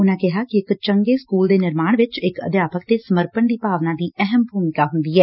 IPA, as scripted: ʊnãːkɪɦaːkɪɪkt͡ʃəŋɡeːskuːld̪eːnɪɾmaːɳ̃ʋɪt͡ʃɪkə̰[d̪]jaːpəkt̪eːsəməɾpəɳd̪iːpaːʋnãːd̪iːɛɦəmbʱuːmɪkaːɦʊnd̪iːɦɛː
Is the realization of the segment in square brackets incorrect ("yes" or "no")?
no